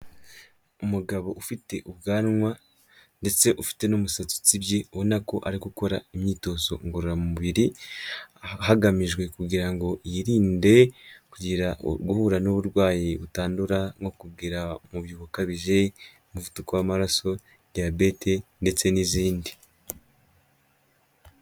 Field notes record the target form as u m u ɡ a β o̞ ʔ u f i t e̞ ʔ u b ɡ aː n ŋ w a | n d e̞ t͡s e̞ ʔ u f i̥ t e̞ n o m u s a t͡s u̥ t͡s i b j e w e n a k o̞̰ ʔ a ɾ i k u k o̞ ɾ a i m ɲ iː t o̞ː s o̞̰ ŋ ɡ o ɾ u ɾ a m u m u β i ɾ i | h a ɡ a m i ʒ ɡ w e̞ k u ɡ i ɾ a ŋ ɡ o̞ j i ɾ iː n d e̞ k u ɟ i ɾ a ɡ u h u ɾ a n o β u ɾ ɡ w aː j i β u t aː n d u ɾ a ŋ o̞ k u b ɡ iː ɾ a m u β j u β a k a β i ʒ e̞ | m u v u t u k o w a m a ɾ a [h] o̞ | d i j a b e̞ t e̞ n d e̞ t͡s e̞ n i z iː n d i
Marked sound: incorrect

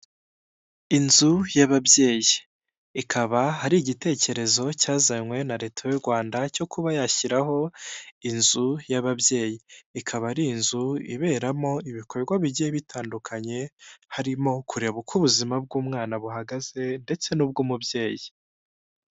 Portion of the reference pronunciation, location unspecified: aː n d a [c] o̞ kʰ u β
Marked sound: correct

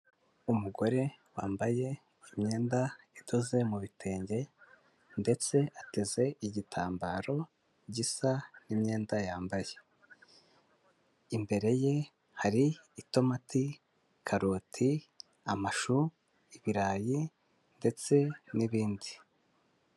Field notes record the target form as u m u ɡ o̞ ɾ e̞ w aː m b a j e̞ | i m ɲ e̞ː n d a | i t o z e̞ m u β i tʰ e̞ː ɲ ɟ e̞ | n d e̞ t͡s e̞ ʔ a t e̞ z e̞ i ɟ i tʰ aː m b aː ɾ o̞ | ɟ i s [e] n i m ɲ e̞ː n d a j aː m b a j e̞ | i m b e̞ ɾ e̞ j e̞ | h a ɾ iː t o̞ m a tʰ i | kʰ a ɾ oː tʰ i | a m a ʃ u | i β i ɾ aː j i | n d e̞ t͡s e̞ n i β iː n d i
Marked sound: incorrect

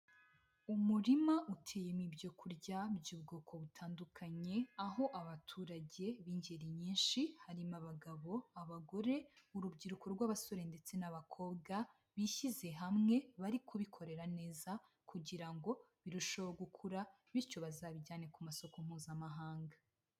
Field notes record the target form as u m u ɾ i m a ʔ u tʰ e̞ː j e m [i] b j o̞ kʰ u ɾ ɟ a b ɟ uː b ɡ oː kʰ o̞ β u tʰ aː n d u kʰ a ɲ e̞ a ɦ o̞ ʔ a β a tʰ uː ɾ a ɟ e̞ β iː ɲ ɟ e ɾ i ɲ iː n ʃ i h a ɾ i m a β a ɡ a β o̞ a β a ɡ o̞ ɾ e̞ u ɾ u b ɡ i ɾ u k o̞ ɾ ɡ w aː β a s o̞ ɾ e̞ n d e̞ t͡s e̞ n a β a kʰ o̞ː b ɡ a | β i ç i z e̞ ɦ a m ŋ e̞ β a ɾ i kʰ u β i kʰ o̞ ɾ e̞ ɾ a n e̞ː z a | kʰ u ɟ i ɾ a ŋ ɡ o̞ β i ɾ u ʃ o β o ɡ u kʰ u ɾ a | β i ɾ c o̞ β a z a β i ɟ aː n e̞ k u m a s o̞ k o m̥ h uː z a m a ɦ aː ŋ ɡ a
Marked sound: correct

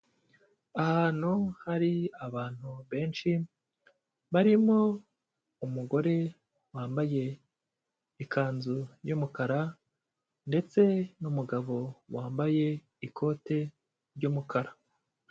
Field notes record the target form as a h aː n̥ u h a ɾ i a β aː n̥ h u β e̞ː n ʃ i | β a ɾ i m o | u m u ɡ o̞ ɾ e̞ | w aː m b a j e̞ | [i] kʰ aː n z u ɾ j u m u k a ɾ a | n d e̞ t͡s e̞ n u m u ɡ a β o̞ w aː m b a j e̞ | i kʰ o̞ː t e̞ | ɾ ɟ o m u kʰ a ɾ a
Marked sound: correct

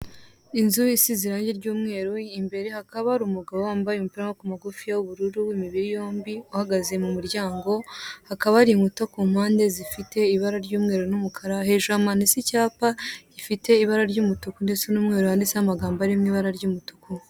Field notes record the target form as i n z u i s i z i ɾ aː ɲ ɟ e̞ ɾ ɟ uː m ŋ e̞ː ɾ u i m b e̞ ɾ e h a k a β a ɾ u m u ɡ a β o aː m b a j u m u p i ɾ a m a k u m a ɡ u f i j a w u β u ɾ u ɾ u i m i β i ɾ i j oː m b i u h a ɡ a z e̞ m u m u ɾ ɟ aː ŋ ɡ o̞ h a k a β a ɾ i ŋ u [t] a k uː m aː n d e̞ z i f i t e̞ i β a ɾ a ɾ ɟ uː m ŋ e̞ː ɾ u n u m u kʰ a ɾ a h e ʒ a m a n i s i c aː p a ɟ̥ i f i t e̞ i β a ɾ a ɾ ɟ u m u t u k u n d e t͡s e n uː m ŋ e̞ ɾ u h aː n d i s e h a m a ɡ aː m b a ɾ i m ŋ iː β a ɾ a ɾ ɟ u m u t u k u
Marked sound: correct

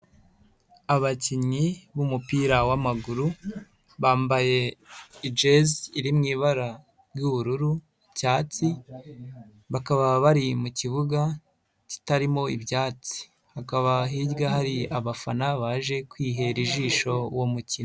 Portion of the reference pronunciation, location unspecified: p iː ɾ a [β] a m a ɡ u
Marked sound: incorrect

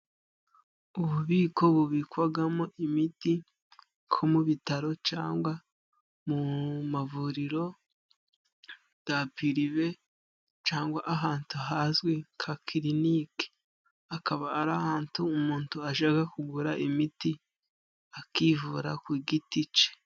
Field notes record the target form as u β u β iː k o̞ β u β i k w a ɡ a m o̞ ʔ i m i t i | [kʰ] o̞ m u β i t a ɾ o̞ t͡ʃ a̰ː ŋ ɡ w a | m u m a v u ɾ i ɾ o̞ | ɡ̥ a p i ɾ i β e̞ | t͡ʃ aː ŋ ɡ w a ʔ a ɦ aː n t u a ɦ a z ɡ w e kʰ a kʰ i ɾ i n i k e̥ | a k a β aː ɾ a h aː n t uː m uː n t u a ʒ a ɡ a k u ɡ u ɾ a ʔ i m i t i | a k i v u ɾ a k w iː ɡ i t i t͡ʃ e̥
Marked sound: correct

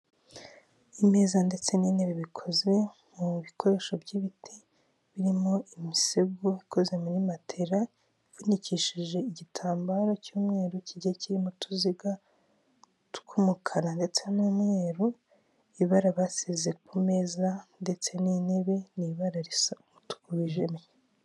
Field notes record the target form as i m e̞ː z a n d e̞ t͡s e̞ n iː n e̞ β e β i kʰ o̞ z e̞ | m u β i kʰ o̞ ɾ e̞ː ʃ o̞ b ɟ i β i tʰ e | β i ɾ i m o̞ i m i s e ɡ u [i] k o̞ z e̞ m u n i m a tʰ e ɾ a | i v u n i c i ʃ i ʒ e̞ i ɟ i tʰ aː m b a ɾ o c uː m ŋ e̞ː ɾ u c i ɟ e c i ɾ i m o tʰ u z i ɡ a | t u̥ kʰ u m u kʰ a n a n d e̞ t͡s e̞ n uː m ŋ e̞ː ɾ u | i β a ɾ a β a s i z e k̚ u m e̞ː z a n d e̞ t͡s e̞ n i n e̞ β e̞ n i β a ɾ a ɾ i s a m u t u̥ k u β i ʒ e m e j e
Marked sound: correct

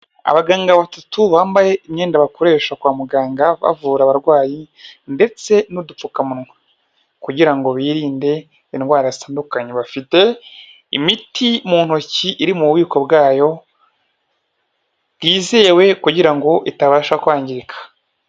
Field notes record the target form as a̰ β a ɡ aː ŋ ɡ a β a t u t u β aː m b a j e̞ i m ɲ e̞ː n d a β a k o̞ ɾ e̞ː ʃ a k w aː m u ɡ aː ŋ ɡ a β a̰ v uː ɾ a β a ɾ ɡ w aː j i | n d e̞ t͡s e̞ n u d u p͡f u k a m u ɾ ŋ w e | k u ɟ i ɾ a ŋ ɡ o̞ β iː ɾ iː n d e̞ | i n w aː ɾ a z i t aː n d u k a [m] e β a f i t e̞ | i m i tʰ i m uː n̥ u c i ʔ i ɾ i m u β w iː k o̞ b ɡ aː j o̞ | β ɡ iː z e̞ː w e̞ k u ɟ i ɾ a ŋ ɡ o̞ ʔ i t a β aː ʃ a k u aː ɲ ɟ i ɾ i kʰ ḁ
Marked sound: incorrect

